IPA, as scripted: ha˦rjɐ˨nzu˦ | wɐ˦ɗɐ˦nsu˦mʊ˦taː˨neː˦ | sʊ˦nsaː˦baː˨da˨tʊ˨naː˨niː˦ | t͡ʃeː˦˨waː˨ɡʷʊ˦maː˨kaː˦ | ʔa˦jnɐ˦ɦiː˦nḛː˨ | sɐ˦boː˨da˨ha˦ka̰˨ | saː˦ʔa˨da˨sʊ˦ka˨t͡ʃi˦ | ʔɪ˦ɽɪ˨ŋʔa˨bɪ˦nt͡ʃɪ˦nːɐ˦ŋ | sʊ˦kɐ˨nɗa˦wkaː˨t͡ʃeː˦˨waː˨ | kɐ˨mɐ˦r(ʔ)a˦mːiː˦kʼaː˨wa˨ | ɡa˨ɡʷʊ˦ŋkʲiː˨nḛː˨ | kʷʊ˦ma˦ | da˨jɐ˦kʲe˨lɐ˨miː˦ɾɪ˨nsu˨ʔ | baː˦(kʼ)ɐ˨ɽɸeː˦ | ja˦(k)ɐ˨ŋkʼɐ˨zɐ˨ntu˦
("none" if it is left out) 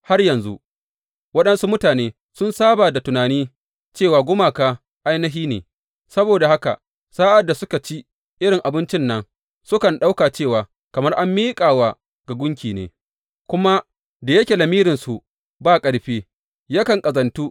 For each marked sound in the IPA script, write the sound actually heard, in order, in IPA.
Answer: ʔ, kʼ, k

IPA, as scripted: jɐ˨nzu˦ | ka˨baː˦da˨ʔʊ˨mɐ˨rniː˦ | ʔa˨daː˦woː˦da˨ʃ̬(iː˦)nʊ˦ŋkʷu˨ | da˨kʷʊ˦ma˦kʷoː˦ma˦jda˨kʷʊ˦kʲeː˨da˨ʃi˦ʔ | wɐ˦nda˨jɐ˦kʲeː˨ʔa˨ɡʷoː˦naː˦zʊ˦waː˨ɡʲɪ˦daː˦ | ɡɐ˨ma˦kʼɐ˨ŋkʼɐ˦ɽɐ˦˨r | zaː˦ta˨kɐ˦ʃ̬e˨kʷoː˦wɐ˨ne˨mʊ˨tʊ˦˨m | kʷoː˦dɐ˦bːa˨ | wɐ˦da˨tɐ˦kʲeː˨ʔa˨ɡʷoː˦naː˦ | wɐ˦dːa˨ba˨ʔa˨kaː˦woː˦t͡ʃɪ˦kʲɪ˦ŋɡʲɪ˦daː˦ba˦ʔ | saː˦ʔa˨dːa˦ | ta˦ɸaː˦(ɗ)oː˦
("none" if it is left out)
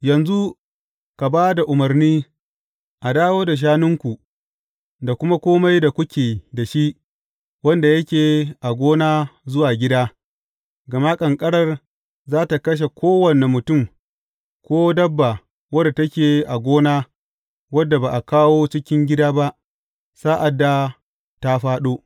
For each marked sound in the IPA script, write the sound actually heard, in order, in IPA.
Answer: aː˦, ɗ

